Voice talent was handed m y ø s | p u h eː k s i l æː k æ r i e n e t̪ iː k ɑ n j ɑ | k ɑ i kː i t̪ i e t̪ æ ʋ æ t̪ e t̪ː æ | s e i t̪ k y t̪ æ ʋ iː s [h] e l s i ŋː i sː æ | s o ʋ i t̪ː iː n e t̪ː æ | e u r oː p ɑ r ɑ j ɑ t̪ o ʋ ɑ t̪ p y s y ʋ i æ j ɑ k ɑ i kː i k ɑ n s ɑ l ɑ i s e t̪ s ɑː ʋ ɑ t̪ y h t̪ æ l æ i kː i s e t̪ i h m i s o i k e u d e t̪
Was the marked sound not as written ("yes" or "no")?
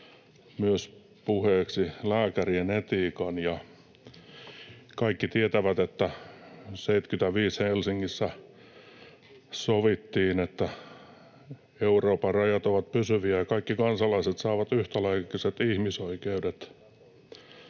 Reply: no